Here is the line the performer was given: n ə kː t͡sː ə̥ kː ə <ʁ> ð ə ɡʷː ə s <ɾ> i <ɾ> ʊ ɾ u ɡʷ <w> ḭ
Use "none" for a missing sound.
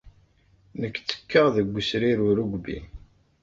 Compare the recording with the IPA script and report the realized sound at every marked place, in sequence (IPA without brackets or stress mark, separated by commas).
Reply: ʁ, ɾ, ɾ, b